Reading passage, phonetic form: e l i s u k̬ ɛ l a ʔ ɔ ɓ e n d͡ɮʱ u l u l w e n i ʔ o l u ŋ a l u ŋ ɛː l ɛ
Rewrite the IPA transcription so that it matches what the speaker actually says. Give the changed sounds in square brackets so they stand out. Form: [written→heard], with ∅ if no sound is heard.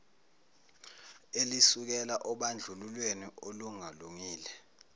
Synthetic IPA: e l i s u k̬ ɛ l a ʔ ɔ ɓ [e→a] n d͡ɮʱ u l u l w e n i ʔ o l u ŋ a l u ŋ [ɛː→iː] l ɛ